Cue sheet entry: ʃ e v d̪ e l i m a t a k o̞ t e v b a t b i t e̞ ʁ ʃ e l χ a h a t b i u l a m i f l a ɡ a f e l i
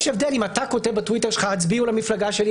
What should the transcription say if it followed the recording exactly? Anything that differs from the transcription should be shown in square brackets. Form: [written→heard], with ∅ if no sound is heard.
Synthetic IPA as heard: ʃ e v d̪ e l i m a t a k o̞ t e v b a t [b→w] i t e̞ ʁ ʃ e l χ a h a [t→t͡s] b i u l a m i f l a ɡ a [f→ʃ] e l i